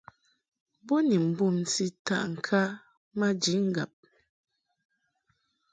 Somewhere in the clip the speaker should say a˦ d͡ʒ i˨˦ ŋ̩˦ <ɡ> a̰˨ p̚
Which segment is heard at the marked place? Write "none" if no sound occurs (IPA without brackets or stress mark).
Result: ɡ